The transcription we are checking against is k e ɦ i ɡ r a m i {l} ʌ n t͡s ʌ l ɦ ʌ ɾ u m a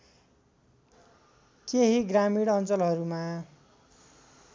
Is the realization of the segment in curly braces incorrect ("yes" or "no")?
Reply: yes